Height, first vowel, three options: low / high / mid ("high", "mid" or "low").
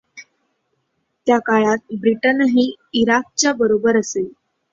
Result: low